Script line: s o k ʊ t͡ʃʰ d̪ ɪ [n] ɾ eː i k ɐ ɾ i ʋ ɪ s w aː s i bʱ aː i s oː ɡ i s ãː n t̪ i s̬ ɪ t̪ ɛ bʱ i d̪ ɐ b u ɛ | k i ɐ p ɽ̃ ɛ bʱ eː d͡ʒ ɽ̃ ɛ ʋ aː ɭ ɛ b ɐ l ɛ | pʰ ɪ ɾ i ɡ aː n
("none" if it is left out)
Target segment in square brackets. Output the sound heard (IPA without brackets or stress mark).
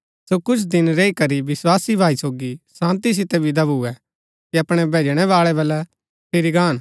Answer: n